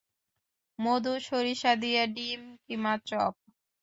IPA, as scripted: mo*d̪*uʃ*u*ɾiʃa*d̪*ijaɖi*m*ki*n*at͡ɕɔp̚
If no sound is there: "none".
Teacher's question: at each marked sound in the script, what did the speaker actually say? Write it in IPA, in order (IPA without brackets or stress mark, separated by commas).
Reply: d̪, o, d̪, m, m